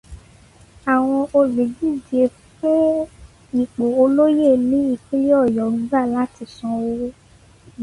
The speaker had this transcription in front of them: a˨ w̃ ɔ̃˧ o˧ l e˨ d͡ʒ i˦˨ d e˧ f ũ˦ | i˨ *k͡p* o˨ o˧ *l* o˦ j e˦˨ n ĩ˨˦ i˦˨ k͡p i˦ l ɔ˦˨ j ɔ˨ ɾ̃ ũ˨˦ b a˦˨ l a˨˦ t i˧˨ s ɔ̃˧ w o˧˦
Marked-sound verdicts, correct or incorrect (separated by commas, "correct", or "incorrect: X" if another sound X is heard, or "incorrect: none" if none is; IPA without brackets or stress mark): correct, correct